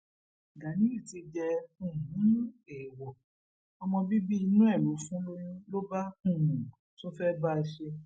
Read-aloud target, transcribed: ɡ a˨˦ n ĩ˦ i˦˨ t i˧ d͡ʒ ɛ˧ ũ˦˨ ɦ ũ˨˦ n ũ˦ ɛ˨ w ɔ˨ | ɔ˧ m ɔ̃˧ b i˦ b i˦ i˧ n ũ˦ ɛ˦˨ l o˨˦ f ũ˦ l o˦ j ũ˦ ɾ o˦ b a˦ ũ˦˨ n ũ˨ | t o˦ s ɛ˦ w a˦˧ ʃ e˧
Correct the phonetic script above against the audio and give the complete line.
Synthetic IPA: ɡ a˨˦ n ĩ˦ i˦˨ t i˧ d͡ʒ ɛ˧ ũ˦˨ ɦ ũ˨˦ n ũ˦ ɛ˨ w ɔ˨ | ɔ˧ m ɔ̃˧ b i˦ b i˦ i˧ n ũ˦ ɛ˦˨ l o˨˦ f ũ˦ l o˦ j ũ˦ l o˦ b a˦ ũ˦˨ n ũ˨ | t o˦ f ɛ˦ b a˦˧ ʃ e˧